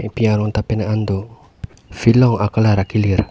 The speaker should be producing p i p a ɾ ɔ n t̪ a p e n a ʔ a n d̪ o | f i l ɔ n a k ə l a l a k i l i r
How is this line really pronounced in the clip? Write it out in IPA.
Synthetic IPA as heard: p i a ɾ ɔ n t̪ a p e n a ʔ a n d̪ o | f i l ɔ ŋ a k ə l a ɾ a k i l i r

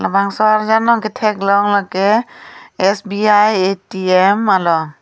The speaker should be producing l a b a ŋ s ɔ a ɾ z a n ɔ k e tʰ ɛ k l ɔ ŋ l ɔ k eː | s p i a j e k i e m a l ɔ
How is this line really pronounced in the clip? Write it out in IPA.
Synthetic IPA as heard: l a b a ŋ s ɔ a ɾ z a n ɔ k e tʰ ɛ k l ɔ ŋ l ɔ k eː | s b i a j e t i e m a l ɔ

